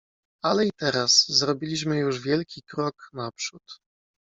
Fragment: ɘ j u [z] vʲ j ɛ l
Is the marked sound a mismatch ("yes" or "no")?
yes